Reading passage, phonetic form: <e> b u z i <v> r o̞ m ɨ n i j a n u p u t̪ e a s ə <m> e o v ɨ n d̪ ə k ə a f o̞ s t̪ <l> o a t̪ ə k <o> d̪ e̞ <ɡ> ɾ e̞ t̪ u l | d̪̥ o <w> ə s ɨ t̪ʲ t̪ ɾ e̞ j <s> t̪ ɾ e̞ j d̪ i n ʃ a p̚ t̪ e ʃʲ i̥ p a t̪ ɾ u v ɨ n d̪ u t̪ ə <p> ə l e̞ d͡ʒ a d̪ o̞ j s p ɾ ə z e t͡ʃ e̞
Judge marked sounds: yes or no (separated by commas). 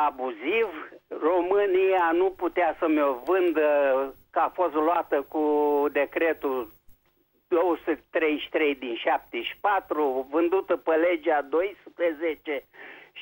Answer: no, yes, yes, yes, no, no, yes, no, yes